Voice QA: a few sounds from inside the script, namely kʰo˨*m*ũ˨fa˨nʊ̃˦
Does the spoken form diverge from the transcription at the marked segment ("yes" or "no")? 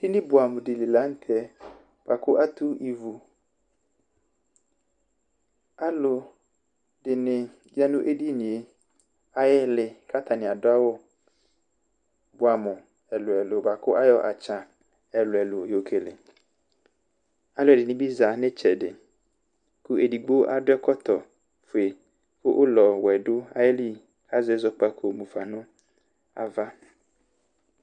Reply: no